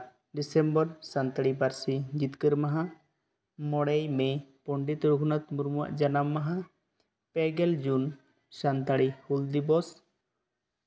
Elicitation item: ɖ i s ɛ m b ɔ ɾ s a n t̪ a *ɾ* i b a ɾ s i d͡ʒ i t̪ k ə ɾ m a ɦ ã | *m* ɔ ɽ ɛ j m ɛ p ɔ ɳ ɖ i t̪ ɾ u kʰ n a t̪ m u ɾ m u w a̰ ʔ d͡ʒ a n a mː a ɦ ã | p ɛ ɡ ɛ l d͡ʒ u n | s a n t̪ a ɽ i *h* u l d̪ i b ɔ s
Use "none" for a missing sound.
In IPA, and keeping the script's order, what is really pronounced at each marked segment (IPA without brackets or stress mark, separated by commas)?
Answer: ɽ, m, h